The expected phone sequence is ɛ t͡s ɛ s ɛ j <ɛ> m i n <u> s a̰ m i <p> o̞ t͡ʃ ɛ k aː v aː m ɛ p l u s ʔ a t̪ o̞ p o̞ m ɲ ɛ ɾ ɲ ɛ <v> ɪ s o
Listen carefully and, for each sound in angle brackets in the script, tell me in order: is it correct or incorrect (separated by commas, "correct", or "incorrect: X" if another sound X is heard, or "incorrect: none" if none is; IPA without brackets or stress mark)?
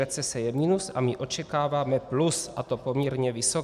correct, correct, incorrect: ʔ, correct